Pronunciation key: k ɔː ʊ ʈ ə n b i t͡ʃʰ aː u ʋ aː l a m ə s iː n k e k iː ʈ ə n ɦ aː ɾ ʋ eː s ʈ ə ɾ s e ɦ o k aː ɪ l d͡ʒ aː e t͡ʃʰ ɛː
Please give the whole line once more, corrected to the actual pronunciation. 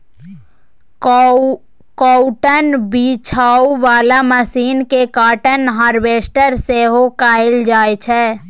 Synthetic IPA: k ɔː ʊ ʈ ə n b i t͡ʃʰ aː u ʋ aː l a m ə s iː n k e k aː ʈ ə n ɦ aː ɾ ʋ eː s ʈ ə ɾ s e ɦ o k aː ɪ l d͡ʒ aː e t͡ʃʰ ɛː